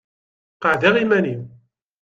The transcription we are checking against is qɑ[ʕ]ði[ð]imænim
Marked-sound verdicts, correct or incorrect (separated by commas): correct, incorrect